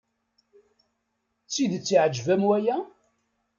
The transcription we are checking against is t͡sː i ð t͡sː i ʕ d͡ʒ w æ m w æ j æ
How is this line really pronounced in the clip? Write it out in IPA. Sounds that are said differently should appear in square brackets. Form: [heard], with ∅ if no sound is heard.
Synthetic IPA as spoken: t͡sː i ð t͡sː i ʕ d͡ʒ [v] æ m w æ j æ